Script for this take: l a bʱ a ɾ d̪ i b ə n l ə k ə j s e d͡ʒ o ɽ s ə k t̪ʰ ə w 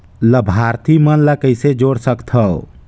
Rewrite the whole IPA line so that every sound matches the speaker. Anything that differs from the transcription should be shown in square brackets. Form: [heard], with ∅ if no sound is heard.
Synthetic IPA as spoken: l [ə] bʱ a ɾ [t̪] i [m] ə n l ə k ə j s e d͡ʒ o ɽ s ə k t̪ʰ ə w